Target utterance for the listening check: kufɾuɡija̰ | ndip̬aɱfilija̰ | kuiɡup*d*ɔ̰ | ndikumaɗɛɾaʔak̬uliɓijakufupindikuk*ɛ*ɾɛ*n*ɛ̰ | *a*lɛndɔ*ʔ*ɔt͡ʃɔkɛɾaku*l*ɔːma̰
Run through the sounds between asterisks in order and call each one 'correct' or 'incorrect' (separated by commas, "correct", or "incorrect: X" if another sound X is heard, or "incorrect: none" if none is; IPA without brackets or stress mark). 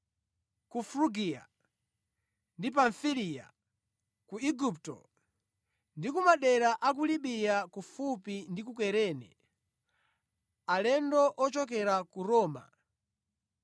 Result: incorrect: t, correct, correct, correct, correct, incorrect: ɾ